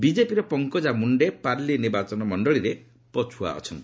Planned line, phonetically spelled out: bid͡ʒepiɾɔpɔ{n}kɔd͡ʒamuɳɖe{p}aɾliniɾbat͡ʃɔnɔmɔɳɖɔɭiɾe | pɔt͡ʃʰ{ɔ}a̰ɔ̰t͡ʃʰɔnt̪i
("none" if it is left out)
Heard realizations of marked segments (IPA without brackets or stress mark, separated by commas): ŋ, p, u